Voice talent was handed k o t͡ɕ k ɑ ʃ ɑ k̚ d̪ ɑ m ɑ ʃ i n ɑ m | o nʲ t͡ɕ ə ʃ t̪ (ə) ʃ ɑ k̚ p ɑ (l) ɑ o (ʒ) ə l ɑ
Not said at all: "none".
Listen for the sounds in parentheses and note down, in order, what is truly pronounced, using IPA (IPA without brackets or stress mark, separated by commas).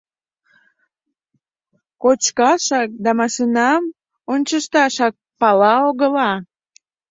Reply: ɑ, l, ɣ